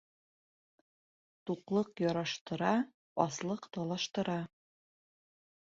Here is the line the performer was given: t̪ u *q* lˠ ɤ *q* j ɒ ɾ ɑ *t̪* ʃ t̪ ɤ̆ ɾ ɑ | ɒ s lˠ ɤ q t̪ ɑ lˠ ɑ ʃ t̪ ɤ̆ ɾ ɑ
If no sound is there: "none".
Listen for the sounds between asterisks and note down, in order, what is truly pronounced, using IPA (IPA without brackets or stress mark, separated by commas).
q, q, none